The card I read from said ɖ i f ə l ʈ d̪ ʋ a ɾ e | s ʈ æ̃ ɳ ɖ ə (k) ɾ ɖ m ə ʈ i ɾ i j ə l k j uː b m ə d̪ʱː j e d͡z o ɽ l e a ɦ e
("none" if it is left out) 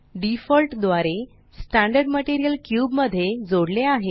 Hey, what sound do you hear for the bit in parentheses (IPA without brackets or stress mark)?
none